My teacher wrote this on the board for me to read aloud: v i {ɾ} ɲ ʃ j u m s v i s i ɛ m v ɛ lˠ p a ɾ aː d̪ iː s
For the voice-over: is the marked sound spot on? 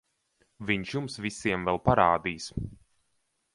no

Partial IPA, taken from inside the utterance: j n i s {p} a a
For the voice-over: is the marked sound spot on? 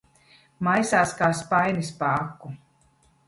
yes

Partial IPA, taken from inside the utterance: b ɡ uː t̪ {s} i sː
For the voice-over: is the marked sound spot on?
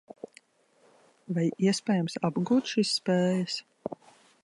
no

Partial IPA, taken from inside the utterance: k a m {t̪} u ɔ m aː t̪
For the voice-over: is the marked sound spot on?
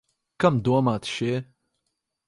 no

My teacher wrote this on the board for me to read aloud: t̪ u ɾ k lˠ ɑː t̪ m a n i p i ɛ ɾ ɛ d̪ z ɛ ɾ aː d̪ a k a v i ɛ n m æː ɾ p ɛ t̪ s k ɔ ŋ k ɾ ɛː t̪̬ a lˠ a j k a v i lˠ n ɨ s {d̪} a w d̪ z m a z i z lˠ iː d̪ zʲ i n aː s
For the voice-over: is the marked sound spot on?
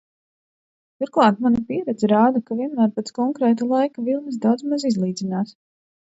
yes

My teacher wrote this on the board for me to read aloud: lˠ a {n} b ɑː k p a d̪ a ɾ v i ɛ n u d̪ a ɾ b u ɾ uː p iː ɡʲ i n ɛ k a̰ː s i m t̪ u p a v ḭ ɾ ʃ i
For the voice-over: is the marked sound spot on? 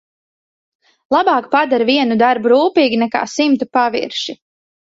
no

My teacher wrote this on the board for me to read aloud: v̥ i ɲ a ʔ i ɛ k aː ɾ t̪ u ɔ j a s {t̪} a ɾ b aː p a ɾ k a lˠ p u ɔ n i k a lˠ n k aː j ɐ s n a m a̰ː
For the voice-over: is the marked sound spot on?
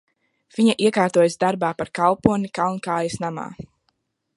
no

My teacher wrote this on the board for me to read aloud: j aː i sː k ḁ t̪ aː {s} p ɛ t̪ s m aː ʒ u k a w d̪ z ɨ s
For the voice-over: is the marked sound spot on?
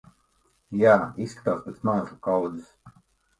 yes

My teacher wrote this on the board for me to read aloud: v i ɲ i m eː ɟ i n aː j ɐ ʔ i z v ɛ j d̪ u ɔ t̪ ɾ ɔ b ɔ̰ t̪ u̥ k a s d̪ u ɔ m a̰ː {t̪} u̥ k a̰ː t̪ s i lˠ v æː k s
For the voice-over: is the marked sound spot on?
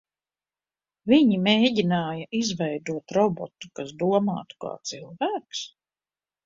yes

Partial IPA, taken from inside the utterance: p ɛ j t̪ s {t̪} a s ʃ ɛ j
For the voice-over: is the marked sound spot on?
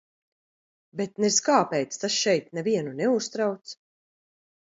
yes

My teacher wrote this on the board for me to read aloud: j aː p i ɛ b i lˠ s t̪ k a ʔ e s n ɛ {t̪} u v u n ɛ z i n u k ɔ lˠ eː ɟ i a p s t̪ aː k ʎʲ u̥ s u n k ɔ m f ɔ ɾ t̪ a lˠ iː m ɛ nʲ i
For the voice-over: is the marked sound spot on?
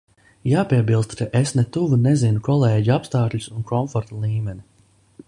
yes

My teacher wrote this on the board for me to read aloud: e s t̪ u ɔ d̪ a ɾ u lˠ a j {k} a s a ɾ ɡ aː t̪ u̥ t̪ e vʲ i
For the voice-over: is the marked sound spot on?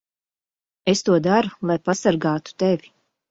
no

